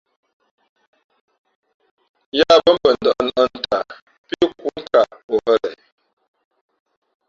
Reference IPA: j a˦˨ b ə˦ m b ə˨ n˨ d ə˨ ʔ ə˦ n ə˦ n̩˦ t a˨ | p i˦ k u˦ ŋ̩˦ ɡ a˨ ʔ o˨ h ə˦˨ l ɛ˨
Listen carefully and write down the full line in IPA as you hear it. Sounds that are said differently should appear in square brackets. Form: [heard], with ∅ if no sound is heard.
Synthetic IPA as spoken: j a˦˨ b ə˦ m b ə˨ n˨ d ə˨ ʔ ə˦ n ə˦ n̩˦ t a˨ | p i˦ k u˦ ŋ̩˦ [k] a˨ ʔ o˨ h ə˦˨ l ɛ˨